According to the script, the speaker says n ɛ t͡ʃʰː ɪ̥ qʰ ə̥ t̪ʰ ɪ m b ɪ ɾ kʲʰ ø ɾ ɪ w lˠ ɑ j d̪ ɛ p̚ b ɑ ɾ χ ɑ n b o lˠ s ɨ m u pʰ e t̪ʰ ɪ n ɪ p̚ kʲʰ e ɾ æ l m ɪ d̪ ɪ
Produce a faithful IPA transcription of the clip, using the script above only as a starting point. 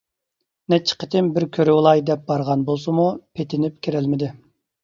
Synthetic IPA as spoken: n ɛ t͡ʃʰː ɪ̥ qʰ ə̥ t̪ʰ ɪ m b ɪ ɾ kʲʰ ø ɾ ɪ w lˠ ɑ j d̪ ɛ p̚ b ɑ ɾ ʁ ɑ n b o lˠ s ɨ m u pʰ e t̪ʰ ɪ n ɪ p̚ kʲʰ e ɾ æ l m ɪ d̪ ɪ